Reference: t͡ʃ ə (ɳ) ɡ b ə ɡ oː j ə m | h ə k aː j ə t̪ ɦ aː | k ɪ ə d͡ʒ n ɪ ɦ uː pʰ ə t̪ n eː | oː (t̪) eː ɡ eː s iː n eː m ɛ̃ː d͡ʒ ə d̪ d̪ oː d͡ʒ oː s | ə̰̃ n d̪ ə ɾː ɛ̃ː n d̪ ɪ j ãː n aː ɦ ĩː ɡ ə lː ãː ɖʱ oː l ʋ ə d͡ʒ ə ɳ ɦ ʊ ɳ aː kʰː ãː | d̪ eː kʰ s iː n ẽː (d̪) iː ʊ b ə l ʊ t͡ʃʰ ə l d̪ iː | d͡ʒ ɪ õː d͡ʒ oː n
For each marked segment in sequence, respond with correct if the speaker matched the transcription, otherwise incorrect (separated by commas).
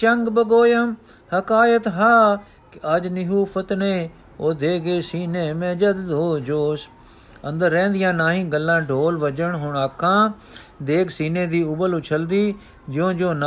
incorrect, incorrect, correct